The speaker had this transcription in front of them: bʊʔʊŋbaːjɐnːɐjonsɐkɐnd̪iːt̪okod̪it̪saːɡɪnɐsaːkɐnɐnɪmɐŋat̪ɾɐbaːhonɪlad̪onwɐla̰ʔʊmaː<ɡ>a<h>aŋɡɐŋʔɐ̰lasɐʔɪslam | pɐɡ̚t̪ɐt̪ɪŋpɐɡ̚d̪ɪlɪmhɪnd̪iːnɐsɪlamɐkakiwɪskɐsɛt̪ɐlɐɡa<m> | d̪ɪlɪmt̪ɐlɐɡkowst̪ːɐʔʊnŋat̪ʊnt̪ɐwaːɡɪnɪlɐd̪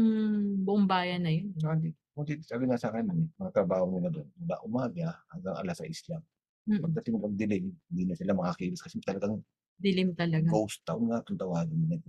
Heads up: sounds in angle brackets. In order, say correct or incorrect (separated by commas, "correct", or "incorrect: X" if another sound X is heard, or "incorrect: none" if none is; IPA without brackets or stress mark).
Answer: correct, correct, incorrect: ŋ